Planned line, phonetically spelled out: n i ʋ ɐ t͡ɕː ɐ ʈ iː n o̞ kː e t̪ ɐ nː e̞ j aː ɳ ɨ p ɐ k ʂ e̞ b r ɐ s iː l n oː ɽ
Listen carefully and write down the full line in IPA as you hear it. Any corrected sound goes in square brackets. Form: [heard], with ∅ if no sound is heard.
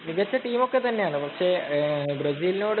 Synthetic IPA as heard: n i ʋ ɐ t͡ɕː ɐ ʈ iː [m] o̞ kː e t̪ ɐ nː e̞ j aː ɳ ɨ p ɐ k ʂ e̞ b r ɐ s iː l n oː ɽ